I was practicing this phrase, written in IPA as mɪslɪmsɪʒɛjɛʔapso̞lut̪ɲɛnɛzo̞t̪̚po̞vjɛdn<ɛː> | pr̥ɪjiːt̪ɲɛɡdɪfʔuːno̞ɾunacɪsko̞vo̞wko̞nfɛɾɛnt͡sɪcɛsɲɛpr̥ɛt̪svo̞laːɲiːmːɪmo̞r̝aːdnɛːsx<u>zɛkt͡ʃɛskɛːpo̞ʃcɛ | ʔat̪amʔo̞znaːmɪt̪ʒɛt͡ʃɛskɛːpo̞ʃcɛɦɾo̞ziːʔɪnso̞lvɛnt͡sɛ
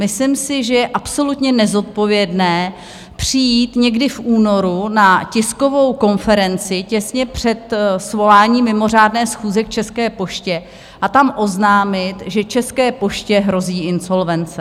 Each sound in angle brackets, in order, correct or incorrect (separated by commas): correct, incorrect